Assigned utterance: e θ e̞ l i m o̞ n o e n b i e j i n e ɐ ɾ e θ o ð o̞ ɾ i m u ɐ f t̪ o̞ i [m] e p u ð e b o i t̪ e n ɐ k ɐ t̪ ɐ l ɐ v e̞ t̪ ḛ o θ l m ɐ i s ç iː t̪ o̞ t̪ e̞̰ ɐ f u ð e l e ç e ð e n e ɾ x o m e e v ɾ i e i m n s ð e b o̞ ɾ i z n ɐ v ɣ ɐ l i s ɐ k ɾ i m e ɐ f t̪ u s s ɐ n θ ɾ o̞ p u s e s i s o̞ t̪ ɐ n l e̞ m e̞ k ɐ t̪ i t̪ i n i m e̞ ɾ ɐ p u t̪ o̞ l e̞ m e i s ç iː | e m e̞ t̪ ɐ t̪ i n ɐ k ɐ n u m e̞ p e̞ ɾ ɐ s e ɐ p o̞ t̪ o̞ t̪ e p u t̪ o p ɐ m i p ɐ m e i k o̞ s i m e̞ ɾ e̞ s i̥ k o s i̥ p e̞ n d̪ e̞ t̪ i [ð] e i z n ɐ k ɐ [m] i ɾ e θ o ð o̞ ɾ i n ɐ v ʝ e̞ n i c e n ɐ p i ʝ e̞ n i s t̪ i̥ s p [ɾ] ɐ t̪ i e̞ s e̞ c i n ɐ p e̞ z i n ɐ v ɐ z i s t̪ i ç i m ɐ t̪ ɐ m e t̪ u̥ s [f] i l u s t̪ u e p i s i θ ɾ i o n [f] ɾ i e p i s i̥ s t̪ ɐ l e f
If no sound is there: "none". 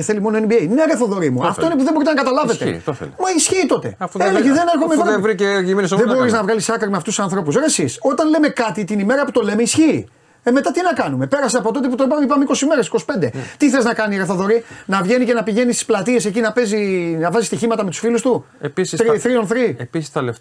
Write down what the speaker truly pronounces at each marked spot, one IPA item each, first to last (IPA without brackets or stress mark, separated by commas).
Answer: n, θ, n, l, f, θ